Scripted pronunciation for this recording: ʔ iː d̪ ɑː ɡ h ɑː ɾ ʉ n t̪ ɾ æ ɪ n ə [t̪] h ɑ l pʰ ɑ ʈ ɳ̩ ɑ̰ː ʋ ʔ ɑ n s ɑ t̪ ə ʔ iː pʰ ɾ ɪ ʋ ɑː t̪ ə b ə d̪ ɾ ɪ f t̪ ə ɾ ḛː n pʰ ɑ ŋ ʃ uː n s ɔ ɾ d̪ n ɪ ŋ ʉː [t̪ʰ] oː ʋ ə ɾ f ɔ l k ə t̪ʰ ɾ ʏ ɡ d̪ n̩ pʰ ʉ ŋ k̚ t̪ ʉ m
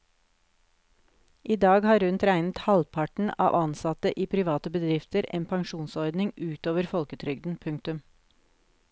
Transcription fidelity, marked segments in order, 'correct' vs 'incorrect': correct, incorrect: t̪

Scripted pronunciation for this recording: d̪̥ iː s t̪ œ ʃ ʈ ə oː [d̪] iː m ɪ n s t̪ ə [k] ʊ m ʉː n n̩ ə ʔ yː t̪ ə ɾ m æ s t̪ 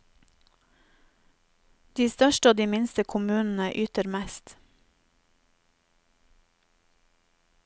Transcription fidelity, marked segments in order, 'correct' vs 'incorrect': correct, incorrect: kʰ

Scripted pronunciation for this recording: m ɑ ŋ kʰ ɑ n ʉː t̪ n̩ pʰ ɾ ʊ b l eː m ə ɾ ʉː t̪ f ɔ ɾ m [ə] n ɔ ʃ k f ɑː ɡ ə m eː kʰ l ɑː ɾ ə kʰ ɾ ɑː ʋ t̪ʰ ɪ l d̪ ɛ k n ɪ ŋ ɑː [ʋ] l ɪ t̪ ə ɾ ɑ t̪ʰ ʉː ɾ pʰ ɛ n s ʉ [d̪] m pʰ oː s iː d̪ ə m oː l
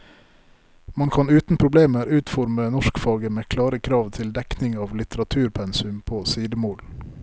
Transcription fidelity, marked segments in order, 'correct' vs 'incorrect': correct, correct, incorrect: none

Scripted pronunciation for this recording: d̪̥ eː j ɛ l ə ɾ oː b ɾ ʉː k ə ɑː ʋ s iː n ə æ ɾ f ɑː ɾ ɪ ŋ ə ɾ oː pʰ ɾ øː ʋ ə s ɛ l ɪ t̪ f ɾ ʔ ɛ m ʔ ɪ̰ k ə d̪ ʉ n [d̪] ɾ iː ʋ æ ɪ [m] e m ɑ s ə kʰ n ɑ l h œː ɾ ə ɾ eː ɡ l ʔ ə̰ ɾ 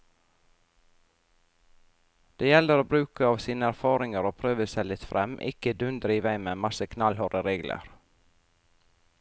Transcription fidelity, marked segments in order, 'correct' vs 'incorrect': correct, correct

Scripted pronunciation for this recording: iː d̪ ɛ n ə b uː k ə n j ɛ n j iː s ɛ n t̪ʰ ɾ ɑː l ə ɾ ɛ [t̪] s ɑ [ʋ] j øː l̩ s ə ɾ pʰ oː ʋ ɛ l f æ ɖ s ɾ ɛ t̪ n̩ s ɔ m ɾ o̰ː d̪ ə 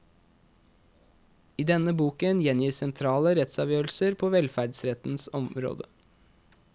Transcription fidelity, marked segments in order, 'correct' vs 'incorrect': correct, correct

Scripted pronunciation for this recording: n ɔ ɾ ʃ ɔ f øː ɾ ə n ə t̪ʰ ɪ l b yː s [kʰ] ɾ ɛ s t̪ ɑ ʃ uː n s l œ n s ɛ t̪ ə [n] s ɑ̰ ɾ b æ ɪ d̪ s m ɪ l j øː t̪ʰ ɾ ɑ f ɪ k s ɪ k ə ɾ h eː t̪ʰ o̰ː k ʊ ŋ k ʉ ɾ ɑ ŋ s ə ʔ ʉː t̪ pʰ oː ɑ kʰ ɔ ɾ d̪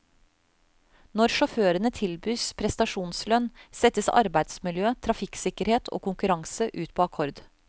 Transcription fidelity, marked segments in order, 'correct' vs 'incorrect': incorrect: pʰ, incorrect: none

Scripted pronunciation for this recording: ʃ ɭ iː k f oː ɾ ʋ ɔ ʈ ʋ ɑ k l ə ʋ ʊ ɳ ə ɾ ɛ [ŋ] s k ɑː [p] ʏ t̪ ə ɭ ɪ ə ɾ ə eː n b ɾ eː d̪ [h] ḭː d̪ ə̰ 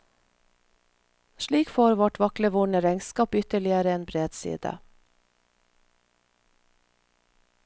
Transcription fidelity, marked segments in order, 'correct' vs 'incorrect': correct, correct, incorrect: s

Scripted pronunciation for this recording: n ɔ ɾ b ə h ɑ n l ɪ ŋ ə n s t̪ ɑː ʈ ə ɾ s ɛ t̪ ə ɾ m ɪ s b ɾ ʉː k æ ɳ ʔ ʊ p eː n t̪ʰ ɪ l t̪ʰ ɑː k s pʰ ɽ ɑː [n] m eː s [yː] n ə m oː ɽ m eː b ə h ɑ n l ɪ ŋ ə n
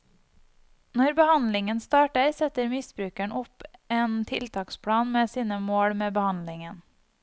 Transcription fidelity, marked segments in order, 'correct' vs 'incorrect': correct, incorrect: iː

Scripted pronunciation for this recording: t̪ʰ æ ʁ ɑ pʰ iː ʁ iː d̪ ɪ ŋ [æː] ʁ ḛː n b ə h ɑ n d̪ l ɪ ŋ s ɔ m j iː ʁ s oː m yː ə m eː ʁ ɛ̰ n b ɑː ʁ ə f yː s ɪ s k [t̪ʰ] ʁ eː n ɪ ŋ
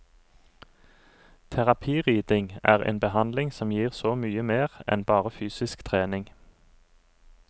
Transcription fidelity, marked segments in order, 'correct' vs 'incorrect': correct, correct

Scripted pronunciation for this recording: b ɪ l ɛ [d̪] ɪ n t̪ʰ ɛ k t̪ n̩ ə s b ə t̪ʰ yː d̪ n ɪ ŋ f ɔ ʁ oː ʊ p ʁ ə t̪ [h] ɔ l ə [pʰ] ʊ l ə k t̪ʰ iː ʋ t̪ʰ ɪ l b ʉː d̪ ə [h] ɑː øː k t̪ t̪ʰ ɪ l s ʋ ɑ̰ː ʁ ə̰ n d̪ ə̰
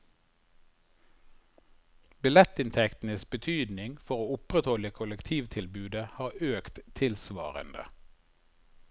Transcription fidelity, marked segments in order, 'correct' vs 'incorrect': incorrect: t̪, correct, incorrect: kʰ, correct

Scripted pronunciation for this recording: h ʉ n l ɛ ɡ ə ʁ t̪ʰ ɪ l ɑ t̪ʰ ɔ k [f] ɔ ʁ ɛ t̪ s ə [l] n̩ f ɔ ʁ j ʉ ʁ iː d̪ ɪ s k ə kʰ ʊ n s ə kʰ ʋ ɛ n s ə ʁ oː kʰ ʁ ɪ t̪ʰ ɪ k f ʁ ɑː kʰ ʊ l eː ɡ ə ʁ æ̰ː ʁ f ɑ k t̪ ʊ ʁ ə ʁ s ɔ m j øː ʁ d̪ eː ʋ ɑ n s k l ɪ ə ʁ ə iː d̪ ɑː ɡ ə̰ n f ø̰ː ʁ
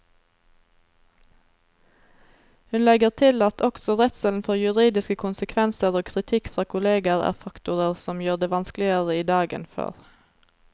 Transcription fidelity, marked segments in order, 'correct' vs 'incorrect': incorrect: s, correct

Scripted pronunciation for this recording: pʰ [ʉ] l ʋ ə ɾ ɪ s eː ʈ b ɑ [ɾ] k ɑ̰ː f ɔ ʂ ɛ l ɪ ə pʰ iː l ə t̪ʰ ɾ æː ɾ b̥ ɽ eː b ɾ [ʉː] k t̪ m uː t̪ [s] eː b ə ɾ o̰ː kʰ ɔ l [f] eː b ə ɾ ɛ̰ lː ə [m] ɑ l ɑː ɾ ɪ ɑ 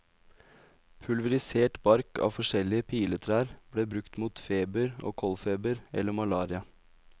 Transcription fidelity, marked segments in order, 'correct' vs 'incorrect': correct, correct, incorrect: ʉ, incorrect: f, correct, correct

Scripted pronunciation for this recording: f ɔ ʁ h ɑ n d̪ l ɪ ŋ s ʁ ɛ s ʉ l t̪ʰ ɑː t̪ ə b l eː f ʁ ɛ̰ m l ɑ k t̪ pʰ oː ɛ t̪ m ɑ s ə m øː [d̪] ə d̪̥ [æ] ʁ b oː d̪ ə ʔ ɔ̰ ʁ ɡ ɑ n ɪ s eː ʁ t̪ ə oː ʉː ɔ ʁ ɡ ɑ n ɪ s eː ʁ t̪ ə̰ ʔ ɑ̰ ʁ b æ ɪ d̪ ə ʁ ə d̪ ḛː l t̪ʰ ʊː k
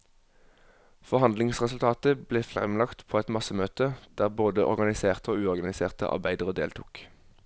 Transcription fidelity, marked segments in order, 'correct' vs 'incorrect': incorrect: t̪, incorrect: æː

